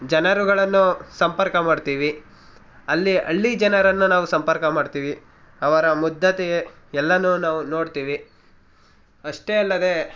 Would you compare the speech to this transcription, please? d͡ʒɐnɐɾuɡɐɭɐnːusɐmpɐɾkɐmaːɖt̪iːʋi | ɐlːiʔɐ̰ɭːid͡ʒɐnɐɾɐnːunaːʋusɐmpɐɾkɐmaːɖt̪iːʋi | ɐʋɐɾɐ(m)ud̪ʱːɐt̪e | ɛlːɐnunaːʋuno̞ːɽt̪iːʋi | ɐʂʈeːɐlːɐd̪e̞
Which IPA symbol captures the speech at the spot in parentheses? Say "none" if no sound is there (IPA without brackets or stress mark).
m